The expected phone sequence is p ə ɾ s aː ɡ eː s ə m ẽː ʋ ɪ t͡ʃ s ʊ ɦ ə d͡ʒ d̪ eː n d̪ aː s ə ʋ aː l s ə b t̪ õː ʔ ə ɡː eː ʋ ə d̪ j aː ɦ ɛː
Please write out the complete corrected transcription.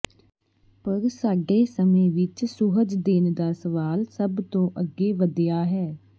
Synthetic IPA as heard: p ə ɾ s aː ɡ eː s ə m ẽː ʋ ɪ t͡ʃ s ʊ ɦ ə d͡ʒ d̪ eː n d̪ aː s ə ʋ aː l s ə b t̪ õː ʔ ə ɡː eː ʋ ə d̪ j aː ɦ ɛː